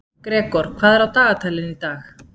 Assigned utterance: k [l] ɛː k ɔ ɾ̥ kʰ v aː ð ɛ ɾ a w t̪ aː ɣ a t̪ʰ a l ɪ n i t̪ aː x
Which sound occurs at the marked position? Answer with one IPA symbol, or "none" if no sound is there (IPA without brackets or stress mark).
ɾ